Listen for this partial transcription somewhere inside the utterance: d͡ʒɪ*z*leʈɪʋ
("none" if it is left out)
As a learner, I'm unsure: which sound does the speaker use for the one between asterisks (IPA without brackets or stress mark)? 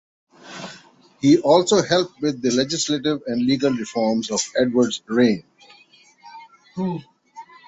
s